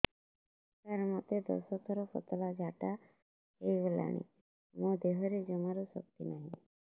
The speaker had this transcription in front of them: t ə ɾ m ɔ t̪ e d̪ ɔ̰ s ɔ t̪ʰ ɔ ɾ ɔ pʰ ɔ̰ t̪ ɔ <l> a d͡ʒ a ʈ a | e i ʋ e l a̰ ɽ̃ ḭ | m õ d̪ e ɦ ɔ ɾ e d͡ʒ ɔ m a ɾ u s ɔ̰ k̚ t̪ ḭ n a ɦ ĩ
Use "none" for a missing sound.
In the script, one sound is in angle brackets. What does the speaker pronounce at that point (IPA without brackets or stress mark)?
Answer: l